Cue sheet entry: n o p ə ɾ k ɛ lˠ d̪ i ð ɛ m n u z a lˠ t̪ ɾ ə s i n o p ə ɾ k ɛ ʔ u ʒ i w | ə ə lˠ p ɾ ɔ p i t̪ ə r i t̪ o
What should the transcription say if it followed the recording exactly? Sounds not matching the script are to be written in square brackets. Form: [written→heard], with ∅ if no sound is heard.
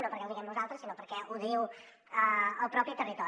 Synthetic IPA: n o p ə ɾ k ɛ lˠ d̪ i [ð→ɣ] ɛ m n u z a lˠ t̪ ɾ ə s i n o p ə ɾ k ɛ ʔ u [ʒ→ð] i w | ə ə lˠ p ɾ ɔ p i t̪ ə r i t̪ [o→ɔ]